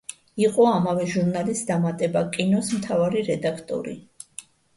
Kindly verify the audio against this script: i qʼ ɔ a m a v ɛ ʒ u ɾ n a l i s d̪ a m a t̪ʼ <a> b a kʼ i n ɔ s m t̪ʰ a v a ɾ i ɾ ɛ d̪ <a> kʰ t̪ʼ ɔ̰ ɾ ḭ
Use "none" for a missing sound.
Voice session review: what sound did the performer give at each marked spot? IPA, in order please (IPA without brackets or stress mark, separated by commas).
ɛ, a